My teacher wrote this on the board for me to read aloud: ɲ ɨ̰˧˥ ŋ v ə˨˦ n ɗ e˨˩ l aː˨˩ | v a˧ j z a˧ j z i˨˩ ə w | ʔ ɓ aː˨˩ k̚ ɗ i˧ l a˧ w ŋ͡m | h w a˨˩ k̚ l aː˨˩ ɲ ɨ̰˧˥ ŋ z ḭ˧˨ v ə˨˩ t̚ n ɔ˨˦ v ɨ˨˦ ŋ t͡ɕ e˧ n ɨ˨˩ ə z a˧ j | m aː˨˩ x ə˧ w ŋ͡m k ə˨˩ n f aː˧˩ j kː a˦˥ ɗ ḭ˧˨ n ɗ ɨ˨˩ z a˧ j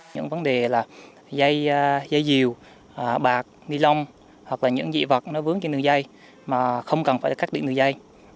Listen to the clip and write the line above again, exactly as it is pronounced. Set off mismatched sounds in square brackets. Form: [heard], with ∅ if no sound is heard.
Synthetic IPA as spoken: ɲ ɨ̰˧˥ ŋ v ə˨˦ n ɗ e˨˩ l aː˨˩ | [z] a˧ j z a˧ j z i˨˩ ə w | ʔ ɓ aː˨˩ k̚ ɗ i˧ l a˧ w ŋ͡m | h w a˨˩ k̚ l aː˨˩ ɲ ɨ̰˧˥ ŋ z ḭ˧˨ v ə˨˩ t̚ n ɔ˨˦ v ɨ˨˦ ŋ t͡ɕ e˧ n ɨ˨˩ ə z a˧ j | m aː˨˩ x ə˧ w ŋ͡m k ə˨˩ n f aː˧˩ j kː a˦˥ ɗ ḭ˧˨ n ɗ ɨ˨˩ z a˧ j

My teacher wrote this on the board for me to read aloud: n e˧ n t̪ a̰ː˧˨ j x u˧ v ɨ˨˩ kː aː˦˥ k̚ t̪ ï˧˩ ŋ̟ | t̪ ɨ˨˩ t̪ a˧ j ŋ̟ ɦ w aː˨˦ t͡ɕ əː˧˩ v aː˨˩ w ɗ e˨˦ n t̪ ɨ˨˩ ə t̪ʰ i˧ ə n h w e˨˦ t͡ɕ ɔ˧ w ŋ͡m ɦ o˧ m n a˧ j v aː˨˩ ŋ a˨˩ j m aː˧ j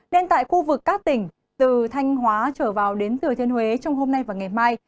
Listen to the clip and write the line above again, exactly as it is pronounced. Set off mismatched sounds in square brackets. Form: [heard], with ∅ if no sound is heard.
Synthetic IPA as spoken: n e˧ n t̪ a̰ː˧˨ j x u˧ v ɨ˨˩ kː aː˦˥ k̚ t̪ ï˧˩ ŋ̟ | t̪ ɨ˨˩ [t̪ʰ] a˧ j ŋ̟ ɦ w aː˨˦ t͡ɕ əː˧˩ v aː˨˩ w ɗ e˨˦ n t̪ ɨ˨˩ ə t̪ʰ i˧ ə n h w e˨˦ t͡ɕ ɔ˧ w ŋ͡m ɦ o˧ m n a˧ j v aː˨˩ ŋ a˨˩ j m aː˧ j

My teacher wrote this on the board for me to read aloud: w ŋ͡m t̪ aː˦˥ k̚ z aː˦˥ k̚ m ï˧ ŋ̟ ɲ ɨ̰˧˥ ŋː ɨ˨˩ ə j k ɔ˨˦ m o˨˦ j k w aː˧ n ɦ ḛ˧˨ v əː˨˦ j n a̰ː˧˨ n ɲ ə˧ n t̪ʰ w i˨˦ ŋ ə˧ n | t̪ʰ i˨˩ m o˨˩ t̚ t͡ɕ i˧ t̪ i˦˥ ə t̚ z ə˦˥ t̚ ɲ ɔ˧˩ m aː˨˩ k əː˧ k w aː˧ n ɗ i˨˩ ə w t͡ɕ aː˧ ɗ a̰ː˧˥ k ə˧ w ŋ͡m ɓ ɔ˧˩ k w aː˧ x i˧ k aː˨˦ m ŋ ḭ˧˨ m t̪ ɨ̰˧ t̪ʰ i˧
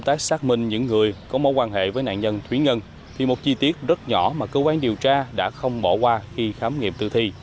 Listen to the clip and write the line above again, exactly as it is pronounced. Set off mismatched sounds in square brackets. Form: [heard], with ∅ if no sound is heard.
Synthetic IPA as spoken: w ŋ͡m t̪ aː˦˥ k̚ [s] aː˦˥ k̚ m ï˧ ŋ̟ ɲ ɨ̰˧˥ ŋː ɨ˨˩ ə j k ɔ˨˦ m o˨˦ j k w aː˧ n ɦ ḛ˧˨ v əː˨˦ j n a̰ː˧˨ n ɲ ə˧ n t̪ʰ w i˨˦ ŋ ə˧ n | t̪ʰ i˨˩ m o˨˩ t̚ t͡ɕ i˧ t̪ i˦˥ ə t̚ z ə˦˥ t̚ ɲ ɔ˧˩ m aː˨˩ k əː˧ k w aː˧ n ɗ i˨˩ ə w t͡ɕ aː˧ ɗ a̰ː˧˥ [x] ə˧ w ŋ͡m ɓ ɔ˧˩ k w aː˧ x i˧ [x] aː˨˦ m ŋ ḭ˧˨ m t̪ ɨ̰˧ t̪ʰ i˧

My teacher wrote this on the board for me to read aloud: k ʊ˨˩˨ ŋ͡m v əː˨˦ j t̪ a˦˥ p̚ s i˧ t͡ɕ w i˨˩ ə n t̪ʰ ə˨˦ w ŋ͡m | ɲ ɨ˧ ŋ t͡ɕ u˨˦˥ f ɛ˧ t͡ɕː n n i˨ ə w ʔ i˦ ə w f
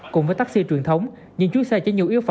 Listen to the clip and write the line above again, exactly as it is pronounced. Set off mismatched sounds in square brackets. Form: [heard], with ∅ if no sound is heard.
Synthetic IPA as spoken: k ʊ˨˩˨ ŋ͡m v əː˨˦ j t̪ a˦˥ [k̚] s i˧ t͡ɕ w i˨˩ ə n t̪ʰ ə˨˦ w ŋ͡m | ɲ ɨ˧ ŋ t͡ɕ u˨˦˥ [s] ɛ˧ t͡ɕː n [ɲ] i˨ ə w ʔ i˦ ə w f

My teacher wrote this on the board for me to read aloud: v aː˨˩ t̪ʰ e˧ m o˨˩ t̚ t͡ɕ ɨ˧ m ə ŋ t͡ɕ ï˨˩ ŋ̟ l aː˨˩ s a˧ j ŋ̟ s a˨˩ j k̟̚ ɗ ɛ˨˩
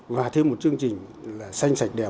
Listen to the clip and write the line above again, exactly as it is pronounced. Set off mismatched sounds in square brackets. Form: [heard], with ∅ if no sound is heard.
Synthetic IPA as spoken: v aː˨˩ t̪ʰ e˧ m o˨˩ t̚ t͡ɕ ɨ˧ [∅] ə ŋ t͡ɕ ï˨˩ ŋ̟ l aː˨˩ s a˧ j ŋ̟ s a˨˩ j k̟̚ ɗ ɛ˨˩

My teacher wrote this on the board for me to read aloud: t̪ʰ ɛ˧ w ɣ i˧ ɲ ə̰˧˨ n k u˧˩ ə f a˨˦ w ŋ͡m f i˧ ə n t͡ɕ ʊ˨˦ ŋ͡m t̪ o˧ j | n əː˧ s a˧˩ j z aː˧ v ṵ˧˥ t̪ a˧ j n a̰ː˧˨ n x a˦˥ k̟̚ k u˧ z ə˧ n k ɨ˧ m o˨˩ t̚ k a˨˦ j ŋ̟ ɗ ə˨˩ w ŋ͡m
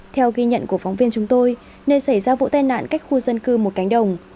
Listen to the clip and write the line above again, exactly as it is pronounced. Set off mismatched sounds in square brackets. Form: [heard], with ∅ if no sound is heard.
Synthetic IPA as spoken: t̪ʰ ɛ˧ w ɣ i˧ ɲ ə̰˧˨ n k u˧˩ ə f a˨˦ w ŋ͡m [v] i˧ ə n t͡ɕ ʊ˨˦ ŋ͡m t̪ o˧ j | n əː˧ s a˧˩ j z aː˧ v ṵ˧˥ t̪ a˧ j n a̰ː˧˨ n [k] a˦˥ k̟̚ [x] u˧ z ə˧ n k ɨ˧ m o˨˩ t̚ k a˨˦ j ŋ̟ ɗ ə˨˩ w ŋ͡m

